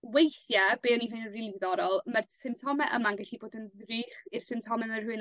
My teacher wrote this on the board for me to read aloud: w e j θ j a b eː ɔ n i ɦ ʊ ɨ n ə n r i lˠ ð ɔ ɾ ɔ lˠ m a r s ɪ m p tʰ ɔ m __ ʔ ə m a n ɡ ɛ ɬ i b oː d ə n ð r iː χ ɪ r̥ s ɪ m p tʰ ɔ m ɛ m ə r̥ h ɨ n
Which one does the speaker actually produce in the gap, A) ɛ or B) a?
A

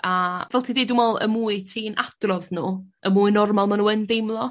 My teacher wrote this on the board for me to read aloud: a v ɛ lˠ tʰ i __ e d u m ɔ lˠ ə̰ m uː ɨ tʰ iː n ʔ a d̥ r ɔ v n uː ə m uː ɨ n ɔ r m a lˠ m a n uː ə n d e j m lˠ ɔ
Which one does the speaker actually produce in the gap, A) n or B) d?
B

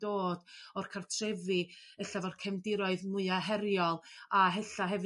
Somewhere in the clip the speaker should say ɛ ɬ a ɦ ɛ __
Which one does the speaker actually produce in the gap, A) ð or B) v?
B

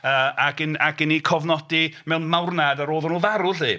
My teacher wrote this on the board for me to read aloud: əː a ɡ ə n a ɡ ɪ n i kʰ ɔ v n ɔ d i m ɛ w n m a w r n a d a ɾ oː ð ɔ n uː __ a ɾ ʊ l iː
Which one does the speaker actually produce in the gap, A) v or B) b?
A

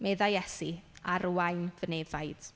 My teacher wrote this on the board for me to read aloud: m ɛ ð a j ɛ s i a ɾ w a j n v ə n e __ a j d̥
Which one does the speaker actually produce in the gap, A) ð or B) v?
B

